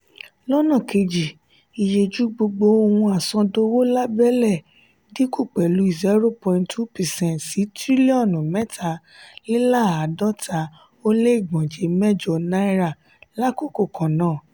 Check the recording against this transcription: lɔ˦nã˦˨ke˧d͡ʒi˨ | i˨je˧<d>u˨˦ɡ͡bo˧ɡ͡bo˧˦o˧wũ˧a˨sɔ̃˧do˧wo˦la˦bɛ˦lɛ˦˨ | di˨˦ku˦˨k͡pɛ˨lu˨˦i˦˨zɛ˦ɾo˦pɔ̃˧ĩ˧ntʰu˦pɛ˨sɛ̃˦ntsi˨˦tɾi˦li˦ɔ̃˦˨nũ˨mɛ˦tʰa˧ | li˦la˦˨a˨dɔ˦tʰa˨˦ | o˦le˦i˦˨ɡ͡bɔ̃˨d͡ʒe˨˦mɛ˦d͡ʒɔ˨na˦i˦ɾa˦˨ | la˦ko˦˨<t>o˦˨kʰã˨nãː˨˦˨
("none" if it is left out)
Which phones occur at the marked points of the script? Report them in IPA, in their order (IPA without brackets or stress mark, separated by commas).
d͡ʒ, k